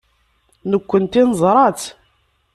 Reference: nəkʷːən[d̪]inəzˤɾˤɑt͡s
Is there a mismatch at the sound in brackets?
yes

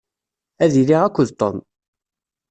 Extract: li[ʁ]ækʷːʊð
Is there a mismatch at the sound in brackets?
no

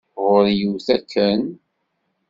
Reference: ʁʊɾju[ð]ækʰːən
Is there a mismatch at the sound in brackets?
yes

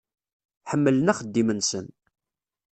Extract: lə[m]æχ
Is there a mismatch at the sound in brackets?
yes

